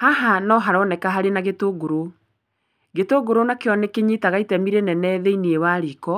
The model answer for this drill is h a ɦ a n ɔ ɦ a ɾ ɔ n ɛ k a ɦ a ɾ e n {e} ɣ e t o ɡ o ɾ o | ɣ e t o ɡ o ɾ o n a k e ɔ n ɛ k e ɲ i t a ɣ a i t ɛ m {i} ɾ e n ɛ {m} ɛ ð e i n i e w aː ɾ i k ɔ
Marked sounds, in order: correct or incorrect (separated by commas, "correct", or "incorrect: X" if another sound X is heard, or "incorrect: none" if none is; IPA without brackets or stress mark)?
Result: incorrect: a, correct, incorrect: n